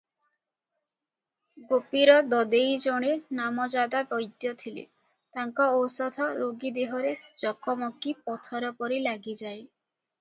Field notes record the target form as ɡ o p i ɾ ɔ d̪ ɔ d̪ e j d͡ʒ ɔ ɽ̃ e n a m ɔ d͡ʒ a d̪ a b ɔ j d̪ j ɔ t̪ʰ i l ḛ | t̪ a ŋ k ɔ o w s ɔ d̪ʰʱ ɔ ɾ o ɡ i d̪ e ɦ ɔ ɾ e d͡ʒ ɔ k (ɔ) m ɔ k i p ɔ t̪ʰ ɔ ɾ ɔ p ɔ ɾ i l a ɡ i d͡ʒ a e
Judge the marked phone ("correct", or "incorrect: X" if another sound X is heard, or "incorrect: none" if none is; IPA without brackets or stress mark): correct